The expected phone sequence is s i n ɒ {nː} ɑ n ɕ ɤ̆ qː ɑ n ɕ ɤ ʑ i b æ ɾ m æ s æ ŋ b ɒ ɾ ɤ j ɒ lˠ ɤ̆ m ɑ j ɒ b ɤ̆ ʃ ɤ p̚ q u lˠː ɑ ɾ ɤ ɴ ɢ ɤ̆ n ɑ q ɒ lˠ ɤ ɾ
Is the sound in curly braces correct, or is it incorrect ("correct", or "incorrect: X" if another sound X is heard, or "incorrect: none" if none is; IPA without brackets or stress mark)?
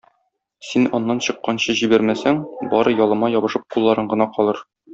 correct